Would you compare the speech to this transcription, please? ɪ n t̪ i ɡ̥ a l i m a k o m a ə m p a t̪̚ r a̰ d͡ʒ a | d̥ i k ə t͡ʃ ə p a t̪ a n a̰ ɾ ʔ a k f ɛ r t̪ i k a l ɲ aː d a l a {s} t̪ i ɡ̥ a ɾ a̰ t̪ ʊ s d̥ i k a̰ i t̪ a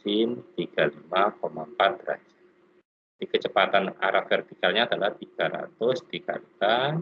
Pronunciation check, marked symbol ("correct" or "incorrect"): incorrect